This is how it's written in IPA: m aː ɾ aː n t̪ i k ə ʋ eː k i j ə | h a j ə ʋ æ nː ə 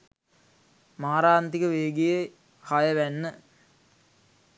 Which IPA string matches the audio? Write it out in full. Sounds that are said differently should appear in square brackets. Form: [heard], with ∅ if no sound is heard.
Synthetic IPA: m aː ɾ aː n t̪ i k ə ʋ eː [ɡ] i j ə | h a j ə ʋ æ nː ə